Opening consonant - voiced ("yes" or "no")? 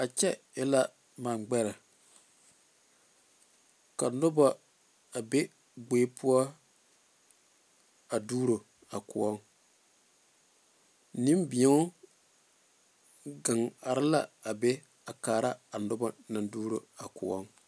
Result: no